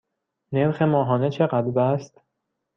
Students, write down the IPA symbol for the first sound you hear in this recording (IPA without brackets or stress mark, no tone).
n